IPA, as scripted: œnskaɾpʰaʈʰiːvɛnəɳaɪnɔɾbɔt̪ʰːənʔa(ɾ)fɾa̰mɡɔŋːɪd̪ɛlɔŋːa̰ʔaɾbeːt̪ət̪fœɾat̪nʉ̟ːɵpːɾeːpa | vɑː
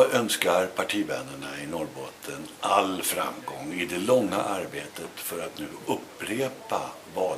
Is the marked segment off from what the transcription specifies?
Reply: yes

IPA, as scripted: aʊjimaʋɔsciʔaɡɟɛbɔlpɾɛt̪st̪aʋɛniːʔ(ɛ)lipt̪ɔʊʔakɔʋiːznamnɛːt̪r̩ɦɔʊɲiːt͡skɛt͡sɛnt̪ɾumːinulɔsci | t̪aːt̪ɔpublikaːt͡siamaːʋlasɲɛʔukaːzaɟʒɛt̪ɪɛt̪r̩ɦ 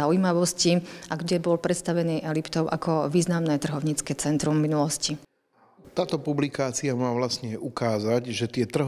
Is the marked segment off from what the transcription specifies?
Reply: no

